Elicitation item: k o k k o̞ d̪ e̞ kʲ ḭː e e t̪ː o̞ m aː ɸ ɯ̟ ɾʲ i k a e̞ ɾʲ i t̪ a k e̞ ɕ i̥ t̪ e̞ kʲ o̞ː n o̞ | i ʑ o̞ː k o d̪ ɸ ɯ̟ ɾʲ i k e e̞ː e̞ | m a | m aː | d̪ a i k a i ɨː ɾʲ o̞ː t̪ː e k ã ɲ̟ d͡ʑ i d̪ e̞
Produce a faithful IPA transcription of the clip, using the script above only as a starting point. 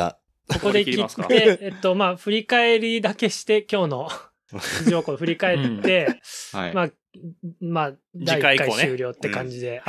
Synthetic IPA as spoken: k o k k o̞ d̪ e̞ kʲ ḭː e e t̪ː o̞ m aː ɸ ɯ̟ ɾʲ i k a e̞ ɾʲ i d̪ a k e̞ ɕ i̥ t̪ e̞ kʲ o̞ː n o̞ | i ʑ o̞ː k o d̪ ɸ ɯ̟ ɾʲ i k a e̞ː e̞ | m a | m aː | d̪ a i k a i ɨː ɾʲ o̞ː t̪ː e k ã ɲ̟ d͡ʑ i d̪ e̞